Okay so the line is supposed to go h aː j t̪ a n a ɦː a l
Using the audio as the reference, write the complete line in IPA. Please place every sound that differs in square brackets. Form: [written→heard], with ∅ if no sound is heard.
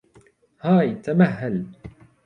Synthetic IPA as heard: h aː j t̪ a [n→m] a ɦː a l